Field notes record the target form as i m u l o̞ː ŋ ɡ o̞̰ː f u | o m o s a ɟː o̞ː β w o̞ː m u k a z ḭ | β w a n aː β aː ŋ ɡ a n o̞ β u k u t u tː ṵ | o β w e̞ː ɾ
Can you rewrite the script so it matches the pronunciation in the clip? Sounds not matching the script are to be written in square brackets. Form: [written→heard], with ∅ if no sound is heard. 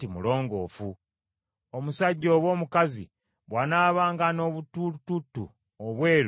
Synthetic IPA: i m u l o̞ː ŋ ɡ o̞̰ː f u | o m [o→u] s a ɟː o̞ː β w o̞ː m u k a z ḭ | β w a n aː β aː ŋ ɡ a n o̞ β u [k→t] u t u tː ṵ | o β w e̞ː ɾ